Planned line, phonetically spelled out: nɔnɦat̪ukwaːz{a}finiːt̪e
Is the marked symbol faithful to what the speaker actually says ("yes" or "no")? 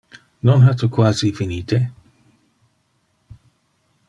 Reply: no